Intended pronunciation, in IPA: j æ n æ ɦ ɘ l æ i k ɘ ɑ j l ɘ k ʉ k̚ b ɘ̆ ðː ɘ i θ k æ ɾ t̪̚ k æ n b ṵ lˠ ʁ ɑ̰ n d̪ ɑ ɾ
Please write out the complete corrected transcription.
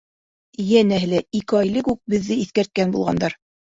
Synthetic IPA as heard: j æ n æ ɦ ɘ l æ i k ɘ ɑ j l ɘ k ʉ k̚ b ɘ̆ ðː ɘ i θ k æ ɾ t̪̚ k æ n b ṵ lˠ ʁ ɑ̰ n d̪ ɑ ɾ